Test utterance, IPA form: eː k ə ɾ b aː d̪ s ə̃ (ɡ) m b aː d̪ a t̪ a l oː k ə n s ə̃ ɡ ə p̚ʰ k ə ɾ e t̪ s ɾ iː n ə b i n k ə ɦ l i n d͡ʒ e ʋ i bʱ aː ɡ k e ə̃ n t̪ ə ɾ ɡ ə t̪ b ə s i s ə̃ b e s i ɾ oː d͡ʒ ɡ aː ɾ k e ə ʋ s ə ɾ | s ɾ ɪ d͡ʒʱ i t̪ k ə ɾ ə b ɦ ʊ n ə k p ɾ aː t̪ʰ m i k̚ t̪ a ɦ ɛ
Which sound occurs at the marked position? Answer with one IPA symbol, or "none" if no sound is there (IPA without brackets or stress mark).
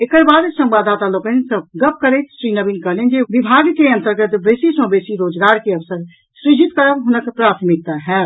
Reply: none